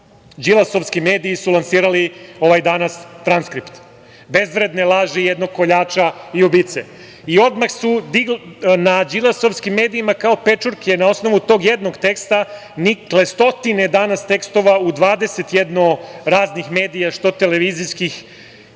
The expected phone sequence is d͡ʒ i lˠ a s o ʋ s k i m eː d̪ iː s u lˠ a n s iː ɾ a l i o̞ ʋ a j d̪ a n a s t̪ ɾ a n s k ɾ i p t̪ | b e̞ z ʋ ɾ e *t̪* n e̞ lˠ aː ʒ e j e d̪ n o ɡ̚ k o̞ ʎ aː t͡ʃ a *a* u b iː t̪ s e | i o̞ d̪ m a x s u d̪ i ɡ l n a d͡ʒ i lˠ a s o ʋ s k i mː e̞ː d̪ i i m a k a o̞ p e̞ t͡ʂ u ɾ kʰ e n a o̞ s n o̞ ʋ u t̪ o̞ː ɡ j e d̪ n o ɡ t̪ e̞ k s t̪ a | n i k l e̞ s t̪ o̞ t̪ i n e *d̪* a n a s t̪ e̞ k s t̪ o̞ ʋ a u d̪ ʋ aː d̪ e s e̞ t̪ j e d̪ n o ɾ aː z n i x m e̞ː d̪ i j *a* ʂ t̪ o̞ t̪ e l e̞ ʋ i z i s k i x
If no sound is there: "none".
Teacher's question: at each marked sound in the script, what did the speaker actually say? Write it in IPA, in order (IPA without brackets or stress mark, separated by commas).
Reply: d̪, i, d̪, a